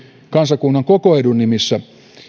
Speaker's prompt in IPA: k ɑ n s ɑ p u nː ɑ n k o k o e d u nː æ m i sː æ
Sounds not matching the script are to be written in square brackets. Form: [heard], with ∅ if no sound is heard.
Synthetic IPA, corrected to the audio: k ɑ n s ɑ [k] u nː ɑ [ŋ] k o k o e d u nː [i] m i sː æ